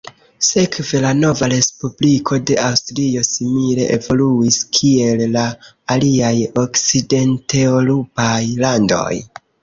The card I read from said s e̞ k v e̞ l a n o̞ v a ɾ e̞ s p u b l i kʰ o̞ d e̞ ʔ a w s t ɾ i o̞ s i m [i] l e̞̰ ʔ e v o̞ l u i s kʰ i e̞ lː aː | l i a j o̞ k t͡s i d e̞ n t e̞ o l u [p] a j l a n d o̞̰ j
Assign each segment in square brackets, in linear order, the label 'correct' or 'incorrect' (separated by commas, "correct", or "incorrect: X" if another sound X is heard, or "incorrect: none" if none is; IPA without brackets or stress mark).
correct, correct